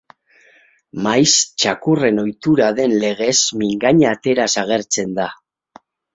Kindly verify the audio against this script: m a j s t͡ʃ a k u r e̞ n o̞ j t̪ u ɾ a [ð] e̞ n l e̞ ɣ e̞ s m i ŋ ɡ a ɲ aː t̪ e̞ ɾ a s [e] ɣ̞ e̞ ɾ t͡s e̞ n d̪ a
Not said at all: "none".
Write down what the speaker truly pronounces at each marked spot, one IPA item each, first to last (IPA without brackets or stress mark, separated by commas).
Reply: ð, a